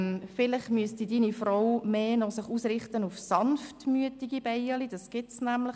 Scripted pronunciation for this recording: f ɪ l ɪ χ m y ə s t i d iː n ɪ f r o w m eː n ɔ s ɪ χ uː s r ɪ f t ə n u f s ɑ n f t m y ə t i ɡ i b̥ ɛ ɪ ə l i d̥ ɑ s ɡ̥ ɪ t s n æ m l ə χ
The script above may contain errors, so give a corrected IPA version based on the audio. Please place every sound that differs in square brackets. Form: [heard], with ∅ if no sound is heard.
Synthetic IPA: f ɪ l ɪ χ m y ə s t i d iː n [i] f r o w m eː n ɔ s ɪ χ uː s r ɪ [χ] t ə n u f s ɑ n f t m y ə t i ɡ i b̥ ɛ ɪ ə l i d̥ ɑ s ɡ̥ ɪ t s n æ m l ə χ